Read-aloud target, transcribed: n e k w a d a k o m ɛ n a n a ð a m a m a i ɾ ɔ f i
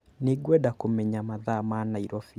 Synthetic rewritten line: n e ɡ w ɛ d a k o m ɛ ɲ a m a ð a m a n a i ɾ ɔ f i